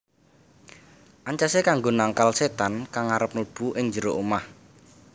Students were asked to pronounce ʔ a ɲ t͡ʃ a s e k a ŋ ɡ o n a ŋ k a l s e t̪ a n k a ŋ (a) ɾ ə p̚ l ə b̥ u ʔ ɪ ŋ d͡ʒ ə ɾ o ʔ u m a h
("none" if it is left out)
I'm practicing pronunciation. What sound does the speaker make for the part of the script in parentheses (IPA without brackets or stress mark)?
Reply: a